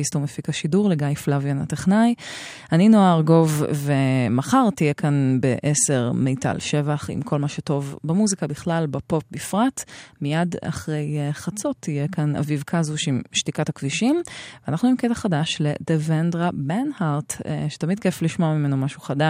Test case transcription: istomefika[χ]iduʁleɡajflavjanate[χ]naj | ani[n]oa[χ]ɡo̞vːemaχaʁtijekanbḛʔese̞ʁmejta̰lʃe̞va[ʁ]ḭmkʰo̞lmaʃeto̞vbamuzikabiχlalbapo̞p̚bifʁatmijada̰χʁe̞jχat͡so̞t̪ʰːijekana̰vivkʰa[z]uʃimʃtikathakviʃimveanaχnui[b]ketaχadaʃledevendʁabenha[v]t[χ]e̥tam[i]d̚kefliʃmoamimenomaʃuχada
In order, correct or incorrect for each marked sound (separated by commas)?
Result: incorrect, correct, correct, incorrect, incorrect, correct, incorrect, incorrect, incorrect, correct